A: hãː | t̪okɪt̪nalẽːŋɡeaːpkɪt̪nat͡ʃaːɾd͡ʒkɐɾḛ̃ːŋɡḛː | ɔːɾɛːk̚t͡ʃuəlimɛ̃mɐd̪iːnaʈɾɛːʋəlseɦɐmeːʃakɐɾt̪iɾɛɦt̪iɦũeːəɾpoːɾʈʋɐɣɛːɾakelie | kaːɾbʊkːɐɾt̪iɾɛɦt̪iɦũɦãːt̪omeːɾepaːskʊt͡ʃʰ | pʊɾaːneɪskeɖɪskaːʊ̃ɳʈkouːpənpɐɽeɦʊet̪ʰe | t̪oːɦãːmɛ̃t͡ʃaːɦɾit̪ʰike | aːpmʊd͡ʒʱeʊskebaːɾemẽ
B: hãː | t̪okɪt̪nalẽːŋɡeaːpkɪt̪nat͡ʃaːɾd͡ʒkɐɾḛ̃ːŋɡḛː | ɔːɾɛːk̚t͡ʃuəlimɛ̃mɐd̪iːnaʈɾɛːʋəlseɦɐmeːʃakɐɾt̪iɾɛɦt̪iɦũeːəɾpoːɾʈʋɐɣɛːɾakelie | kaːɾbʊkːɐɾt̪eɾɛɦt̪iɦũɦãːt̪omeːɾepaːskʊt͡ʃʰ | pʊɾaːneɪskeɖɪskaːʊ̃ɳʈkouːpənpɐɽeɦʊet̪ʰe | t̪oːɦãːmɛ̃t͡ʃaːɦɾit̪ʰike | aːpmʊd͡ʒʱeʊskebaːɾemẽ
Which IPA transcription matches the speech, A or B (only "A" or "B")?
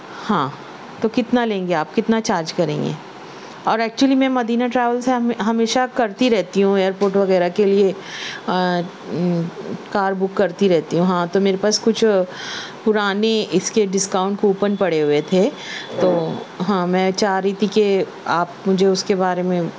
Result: A